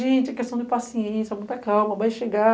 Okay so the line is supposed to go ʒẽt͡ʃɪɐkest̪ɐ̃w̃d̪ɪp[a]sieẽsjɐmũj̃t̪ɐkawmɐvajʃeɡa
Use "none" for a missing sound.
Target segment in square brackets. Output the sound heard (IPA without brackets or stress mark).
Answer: a